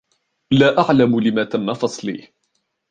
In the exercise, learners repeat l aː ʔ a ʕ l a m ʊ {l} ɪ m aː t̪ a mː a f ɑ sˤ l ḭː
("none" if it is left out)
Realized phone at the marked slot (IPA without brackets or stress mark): l